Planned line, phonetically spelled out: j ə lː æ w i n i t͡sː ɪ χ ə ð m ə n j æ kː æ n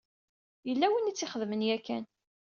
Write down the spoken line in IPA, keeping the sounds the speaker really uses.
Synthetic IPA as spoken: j ə lː æ w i n i t͡sː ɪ χ ə ð m ə n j æ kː æ n

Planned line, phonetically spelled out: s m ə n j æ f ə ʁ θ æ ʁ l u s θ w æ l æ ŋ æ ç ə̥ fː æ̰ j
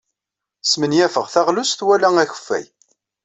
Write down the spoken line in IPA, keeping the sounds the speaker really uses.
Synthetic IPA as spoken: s m ə n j æ f ə ʁ θ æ ʁ l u s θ w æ l æ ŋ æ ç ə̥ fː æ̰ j

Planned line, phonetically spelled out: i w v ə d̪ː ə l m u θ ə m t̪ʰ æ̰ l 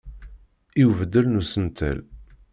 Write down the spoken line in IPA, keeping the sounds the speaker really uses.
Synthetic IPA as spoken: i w v ə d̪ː ə l n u s ə n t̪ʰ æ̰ l

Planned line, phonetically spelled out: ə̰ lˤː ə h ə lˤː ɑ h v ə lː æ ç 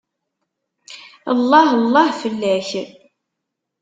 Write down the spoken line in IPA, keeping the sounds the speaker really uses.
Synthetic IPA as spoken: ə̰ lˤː ɑ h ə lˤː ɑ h f ə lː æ ç

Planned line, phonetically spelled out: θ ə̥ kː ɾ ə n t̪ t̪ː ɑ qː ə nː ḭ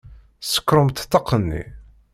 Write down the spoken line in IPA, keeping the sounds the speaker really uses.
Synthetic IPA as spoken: s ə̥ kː ɾ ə m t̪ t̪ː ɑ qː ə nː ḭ

